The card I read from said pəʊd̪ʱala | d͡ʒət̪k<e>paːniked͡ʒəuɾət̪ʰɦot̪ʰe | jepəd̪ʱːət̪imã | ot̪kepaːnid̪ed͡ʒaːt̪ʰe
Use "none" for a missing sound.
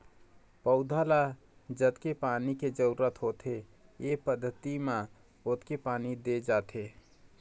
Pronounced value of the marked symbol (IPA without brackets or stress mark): e